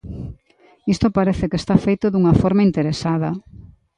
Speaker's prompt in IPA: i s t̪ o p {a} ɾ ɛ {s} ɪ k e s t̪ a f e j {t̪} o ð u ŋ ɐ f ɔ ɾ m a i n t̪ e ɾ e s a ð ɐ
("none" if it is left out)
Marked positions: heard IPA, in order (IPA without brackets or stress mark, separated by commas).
a, θ, t̪